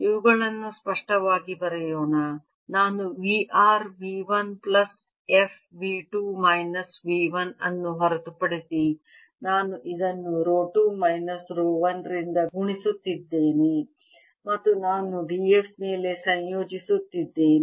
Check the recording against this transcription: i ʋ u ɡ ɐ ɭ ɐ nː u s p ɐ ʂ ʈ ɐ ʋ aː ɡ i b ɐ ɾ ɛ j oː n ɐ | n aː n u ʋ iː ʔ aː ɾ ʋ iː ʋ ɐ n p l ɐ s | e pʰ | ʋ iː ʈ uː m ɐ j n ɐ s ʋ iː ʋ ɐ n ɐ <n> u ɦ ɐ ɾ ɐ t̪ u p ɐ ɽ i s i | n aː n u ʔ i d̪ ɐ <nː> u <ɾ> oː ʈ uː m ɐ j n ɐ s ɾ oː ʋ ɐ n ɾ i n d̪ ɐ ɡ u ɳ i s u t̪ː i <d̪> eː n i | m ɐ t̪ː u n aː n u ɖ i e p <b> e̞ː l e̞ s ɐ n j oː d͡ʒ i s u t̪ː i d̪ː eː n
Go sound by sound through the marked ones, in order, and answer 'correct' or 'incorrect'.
incorrect: nː, correct, correct, incorrect: d̪ː, incorrect: m

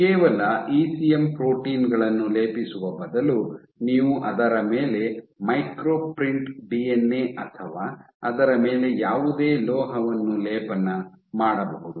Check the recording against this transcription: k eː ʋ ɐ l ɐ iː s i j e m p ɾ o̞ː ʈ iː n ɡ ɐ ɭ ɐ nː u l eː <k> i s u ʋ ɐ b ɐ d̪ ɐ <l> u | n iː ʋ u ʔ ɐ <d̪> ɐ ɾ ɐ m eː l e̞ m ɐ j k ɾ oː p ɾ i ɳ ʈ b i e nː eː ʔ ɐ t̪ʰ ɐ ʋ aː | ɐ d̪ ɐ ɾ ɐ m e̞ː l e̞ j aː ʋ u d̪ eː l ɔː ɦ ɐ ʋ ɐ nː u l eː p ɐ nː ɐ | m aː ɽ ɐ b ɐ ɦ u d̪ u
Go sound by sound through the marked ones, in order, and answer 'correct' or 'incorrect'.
incorrect: p, correct, correct

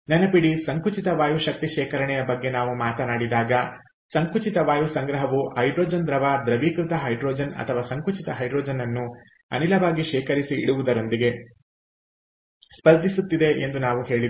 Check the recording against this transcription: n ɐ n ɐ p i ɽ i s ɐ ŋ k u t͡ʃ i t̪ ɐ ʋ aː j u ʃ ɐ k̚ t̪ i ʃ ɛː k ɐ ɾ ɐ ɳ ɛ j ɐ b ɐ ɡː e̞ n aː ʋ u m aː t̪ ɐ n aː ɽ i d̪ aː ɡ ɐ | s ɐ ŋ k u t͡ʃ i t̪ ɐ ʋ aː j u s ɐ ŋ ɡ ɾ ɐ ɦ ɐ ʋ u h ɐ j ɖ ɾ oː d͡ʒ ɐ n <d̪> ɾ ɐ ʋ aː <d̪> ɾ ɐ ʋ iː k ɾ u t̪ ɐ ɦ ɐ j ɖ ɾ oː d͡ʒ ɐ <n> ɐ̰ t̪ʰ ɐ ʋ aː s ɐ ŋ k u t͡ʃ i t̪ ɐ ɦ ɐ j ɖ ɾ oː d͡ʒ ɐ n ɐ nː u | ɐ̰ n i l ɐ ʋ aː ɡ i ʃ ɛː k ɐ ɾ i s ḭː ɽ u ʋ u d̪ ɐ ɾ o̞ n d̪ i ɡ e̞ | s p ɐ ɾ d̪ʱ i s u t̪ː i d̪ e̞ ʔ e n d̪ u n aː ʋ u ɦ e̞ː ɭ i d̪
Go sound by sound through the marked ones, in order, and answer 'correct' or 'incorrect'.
correct, correct, correct

